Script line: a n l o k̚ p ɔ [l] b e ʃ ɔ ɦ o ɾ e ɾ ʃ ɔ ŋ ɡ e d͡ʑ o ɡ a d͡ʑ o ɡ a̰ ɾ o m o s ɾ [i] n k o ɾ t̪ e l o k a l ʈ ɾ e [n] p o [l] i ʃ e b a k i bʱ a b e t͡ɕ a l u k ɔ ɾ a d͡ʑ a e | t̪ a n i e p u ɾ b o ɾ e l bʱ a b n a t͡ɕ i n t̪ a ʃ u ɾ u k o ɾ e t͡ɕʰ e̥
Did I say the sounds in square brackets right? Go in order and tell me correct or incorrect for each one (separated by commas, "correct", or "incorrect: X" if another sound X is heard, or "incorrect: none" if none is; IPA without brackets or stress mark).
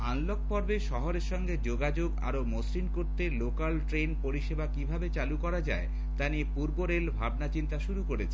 incorrect: ɾ, correct, correct, incorrect: ɾ